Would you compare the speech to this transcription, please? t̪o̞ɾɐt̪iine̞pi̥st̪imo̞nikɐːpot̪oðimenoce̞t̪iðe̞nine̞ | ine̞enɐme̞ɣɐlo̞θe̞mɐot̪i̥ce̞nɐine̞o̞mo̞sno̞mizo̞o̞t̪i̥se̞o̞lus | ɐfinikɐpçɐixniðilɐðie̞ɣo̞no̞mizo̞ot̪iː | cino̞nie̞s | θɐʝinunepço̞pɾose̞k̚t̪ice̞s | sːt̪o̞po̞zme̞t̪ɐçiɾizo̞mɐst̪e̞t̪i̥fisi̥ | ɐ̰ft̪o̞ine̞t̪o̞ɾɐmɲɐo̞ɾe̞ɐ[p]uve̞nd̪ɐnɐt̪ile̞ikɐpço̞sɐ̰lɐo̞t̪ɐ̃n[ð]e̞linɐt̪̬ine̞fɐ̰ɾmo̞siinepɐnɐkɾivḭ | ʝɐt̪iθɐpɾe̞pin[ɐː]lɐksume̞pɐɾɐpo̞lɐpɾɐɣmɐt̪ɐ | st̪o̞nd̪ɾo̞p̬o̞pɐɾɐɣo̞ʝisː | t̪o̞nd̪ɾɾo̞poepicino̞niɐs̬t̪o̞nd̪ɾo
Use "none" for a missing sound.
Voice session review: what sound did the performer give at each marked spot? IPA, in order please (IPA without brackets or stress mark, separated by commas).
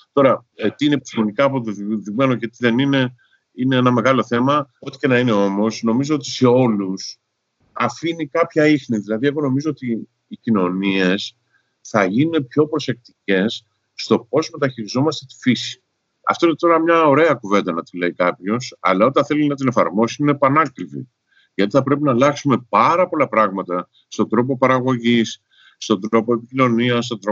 k, θ, ɐ